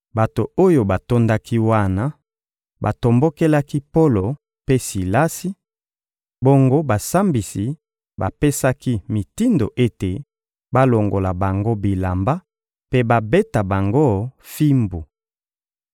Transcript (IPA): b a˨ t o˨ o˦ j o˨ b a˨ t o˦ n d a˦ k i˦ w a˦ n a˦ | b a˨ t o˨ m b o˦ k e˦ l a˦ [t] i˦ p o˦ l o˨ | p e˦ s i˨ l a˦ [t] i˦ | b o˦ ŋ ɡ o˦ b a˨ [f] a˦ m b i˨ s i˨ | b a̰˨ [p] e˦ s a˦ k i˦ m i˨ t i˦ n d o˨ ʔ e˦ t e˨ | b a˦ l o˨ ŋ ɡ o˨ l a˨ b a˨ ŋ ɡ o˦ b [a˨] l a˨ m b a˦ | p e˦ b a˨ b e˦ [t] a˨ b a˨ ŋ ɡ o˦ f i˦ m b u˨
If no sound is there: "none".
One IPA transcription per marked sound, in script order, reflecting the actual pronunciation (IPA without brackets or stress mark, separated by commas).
k, s, s, p, i˨, t